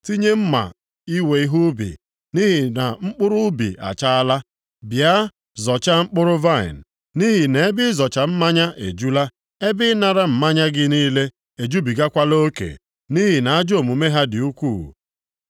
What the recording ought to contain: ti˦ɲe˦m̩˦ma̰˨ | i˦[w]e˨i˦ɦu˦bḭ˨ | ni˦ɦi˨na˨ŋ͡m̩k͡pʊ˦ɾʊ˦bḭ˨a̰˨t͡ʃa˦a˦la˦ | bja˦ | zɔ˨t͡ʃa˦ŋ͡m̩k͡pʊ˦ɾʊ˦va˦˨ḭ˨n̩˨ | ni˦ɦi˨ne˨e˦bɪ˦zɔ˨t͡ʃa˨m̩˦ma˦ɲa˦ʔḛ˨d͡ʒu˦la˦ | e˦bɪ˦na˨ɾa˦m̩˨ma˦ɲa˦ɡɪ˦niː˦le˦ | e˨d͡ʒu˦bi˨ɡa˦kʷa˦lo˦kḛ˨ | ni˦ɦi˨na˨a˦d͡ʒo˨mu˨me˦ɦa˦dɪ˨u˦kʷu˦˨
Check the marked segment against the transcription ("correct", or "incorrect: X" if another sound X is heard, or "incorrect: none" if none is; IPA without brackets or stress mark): correct